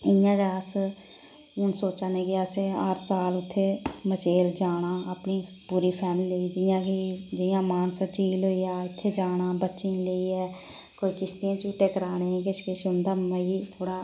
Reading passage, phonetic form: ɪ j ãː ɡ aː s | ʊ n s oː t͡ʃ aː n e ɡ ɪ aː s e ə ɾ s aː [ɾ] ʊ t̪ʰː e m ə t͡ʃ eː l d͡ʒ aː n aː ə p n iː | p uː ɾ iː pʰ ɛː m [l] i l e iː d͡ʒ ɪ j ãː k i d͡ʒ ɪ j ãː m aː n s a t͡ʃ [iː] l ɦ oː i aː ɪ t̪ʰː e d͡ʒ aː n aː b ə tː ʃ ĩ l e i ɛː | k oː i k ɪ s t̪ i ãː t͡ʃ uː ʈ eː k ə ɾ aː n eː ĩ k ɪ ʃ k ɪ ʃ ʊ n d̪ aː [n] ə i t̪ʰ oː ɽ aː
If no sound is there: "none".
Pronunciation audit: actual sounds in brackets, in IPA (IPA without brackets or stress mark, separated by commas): l, l, iː, m